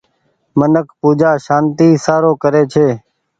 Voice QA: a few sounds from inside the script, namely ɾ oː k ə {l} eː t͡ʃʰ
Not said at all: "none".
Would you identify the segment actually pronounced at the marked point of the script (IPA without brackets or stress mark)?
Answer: ɾ